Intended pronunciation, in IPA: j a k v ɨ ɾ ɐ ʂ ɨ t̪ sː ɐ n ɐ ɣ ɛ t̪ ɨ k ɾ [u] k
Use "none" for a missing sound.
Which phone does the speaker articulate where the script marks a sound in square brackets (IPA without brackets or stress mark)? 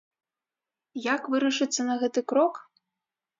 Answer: ɔ